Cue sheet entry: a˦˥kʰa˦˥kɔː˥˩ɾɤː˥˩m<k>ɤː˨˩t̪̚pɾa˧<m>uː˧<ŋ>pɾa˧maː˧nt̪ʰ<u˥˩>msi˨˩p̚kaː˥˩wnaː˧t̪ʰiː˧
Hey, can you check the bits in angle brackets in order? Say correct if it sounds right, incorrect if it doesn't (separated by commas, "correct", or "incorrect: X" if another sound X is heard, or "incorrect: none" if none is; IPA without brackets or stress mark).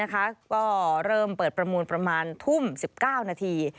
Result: incorrect: p, correct, incorrect: n, correct